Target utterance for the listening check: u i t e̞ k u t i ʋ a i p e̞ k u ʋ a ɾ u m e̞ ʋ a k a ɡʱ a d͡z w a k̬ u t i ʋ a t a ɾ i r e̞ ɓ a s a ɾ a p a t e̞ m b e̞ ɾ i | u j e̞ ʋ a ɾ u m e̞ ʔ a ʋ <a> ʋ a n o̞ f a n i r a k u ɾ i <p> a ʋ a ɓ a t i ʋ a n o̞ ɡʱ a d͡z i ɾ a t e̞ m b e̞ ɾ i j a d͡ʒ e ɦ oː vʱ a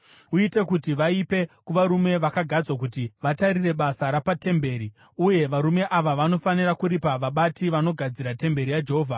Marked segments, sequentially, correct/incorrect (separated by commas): correct, correct